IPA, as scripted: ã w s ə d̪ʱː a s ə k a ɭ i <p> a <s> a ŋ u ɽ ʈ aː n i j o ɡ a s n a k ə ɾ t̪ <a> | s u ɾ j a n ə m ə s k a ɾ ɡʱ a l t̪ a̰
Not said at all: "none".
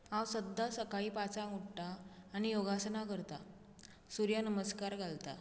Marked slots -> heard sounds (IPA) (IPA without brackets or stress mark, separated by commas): p, t͡s, a